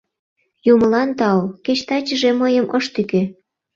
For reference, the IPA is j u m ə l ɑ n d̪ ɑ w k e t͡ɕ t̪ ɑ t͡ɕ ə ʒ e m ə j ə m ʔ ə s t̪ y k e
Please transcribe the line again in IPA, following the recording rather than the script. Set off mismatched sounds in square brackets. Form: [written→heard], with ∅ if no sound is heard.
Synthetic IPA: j u m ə l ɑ n [d̪→t̪] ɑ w k e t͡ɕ t̪ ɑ t͡ɕ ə ʒ e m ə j ə m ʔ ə [s→ʃ] t̪ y k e